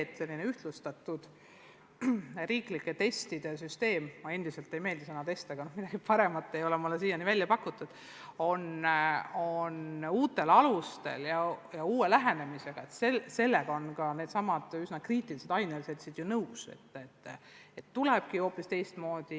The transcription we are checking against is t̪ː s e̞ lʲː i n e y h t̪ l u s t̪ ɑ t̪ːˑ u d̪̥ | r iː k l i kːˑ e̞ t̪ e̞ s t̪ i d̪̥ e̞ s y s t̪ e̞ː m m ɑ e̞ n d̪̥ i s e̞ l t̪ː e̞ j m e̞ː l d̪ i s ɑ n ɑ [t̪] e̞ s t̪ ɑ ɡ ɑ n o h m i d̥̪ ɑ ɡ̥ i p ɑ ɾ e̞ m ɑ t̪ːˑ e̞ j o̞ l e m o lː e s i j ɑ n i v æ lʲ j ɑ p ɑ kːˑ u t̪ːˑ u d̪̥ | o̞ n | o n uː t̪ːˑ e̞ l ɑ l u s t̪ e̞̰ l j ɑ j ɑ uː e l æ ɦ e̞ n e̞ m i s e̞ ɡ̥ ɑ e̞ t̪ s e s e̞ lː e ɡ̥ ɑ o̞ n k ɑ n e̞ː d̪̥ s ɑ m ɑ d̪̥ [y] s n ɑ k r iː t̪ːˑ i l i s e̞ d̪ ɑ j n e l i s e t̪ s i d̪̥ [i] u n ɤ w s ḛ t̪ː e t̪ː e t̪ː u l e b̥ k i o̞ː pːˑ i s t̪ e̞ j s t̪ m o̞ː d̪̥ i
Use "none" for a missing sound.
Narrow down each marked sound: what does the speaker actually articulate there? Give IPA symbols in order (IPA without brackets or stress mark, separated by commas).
t̪, y, j